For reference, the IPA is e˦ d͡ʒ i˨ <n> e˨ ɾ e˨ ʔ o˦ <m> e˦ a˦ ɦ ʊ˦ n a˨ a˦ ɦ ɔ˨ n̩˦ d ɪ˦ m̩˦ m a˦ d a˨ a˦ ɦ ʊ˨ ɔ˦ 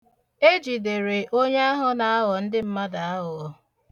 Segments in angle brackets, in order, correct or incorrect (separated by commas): incorrect, incorrect